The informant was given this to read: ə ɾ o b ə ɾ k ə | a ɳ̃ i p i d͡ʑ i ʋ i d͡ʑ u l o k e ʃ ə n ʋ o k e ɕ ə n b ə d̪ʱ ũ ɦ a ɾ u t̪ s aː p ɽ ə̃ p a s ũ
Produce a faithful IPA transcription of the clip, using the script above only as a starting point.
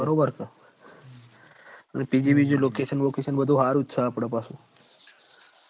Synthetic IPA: ə ɾ o b ə ɾ k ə | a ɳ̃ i p i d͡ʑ i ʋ i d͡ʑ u l o k e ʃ ə n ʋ o k e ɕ ə n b ə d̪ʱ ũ ɦ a ɾ u t̪ s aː p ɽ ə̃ p a s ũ